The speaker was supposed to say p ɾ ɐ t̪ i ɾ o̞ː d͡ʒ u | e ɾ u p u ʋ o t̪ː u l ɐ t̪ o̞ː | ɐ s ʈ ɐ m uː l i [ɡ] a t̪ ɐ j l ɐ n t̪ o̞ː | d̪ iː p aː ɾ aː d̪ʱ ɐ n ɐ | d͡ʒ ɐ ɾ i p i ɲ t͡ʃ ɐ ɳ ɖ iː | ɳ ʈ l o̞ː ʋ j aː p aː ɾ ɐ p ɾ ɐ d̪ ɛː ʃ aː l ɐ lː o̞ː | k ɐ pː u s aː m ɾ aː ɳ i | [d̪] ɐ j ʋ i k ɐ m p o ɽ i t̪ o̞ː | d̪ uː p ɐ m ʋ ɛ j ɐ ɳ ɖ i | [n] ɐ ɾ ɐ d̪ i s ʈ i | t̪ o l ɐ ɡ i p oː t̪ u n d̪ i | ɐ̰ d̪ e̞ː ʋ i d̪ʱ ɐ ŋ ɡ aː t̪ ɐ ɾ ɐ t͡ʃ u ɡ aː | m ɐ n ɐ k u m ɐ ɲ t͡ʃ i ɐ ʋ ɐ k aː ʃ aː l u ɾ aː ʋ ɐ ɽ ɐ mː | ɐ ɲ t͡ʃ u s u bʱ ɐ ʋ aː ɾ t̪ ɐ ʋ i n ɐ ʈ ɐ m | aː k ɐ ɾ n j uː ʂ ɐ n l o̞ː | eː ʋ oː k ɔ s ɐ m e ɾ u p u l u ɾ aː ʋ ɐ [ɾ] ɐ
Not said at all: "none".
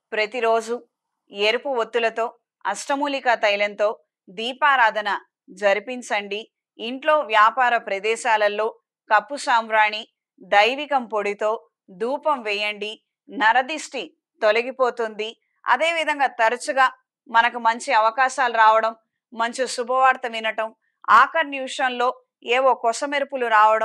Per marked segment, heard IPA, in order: k, d̪, n, ɽ

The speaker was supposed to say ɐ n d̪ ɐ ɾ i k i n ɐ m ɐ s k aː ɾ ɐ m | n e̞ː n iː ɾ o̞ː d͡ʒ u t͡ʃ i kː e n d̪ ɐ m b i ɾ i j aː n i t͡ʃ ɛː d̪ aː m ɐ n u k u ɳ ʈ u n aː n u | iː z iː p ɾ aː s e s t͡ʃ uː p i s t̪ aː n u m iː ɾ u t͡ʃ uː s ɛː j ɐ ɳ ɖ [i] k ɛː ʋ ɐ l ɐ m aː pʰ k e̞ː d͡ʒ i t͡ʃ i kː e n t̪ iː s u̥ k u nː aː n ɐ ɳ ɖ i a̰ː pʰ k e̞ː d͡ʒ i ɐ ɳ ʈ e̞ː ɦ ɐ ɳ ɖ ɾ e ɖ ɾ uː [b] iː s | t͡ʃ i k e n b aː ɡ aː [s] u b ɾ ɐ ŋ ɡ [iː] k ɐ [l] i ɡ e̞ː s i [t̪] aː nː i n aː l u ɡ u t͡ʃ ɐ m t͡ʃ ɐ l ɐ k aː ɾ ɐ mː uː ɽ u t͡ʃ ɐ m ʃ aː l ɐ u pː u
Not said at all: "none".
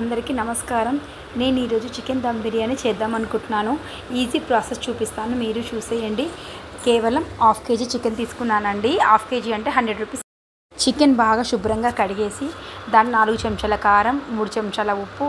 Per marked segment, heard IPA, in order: i, p, ʃ, aː, ɽ, d̪

